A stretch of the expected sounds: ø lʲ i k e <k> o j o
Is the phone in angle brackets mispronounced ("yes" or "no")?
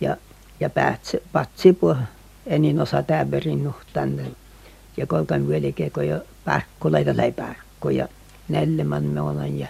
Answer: no